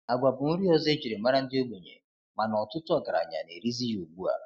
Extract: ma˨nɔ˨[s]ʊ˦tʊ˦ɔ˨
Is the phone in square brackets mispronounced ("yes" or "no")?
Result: yes